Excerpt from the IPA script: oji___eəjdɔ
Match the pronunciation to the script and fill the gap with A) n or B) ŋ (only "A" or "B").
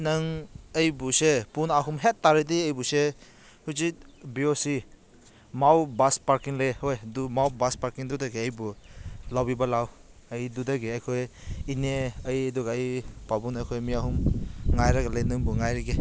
A